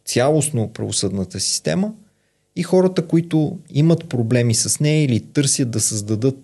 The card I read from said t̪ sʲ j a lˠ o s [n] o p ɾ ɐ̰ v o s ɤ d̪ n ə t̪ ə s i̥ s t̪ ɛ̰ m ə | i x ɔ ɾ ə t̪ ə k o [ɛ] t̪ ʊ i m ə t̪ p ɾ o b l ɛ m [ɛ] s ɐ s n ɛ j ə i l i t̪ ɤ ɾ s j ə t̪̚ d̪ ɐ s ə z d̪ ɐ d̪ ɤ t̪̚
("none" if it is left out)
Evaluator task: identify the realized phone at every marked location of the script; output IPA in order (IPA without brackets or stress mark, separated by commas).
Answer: n, i, i